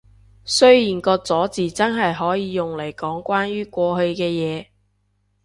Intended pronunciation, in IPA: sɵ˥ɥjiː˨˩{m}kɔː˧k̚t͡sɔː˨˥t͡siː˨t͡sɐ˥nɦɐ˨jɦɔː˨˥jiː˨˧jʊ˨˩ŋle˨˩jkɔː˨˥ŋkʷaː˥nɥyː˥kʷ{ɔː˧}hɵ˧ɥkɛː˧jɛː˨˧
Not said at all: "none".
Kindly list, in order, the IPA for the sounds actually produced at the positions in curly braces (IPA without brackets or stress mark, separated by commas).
n, ɔː˧